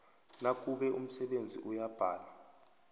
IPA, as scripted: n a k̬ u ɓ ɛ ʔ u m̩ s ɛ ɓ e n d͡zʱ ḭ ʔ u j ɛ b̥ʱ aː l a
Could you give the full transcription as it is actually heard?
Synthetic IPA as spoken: n a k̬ u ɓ ɛ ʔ u m̩ s ɛ ɓ e n d͡zʱ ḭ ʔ u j a b̥ʱ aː l a